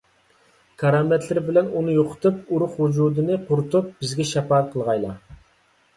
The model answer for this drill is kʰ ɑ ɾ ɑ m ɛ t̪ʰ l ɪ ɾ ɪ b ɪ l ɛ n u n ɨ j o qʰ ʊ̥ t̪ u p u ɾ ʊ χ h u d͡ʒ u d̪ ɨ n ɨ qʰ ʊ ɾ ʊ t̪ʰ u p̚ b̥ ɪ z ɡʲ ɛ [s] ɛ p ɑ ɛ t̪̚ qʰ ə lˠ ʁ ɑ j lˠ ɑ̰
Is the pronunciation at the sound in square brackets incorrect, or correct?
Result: incorrect: ʃ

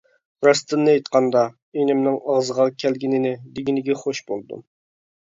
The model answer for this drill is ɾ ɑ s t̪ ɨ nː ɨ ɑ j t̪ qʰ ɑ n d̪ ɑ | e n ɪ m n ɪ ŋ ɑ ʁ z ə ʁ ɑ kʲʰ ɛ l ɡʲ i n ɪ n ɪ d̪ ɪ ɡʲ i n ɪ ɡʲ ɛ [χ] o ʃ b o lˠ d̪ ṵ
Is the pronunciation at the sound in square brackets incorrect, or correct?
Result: correct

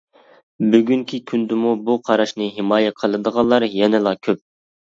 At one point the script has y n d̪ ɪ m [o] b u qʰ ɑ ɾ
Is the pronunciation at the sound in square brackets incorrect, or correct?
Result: incorrect: u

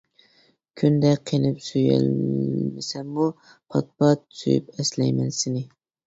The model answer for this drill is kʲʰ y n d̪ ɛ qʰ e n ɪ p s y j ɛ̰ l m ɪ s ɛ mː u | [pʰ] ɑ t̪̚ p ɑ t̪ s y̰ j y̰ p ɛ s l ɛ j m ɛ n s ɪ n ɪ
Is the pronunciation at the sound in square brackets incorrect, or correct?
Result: correct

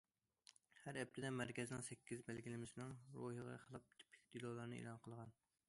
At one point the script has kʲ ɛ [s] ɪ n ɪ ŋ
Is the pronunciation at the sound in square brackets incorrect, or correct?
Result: incorrect: z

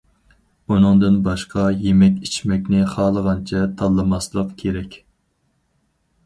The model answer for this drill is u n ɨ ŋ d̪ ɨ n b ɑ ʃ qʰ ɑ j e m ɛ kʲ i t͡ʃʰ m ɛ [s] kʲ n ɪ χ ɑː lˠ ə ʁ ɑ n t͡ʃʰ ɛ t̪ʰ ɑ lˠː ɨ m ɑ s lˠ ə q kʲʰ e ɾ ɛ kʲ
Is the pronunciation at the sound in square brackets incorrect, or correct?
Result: incorrect: none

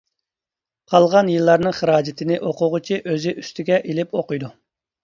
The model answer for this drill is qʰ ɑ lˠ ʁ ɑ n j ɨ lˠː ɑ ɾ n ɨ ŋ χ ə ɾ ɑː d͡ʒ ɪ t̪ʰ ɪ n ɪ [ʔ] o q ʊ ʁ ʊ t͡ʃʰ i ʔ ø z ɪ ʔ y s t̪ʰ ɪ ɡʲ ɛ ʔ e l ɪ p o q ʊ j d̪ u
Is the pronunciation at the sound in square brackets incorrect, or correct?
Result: correct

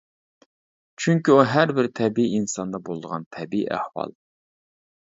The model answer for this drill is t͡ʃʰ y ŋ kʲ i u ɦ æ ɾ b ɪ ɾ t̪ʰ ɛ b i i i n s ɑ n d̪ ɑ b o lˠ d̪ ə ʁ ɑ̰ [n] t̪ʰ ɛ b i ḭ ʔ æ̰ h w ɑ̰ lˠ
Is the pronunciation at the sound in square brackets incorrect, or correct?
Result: correct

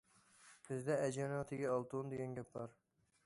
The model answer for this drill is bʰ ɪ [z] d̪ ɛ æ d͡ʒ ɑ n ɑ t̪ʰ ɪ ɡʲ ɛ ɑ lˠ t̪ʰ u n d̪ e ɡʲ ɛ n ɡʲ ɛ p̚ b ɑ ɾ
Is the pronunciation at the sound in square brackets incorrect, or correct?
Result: correct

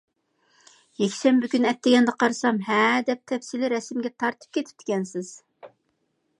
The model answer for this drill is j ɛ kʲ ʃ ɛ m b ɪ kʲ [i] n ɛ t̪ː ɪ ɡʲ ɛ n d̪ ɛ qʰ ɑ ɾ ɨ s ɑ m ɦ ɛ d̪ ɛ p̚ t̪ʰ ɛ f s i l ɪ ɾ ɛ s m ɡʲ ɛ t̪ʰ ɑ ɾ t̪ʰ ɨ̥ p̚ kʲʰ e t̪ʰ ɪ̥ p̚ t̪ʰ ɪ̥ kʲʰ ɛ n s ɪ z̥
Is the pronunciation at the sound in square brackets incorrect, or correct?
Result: incorrect: y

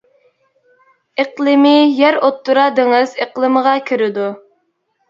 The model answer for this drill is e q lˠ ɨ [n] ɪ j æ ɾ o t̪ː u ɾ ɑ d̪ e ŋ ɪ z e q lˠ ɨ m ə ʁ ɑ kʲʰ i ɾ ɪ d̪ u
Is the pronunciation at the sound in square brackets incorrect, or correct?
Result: incorrect: m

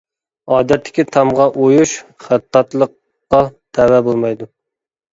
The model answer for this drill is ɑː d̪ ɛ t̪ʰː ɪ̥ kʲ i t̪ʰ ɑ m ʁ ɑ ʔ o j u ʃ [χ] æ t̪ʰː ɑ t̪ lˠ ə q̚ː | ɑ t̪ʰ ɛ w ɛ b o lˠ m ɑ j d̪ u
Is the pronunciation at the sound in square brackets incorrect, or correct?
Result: correct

